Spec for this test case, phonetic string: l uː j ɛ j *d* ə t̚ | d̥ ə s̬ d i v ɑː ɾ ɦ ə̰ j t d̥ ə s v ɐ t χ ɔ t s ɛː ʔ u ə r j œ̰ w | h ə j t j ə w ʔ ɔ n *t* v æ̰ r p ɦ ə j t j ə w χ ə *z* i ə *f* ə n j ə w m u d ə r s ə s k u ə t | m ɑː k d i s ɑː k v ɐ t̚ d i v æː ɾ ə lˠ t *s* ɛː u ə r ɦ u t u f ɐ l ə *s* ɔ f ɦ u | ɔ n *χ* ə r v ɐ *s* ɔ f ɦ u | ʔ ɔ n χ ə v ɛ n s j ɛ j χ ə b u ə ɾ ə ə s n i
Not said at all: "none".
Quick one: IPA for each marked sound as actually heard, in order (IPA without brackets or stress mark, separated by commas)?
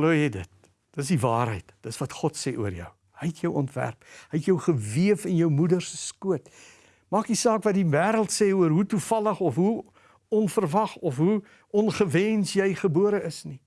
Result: d, t, v, f, s, χ, f, χ